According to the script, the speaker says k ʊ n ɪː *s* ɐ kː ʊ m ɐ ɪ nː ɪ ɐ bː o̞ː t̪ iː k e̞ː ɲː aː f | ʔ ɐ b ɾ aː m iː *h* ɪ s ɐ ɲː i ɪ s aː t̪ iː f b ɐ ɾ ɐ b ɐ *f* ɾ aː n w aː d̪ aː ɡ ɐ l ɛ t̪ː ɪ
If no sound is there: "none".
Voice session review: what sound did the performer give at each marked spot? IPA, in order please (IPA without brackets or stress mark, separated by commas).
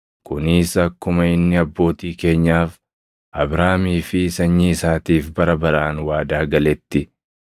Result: s, f, none